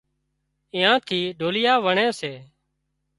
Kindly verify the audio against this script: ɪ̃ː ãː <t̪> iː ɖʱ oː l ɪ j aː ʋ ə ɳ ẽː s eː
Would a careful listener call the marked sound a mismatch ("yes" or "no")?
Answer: yes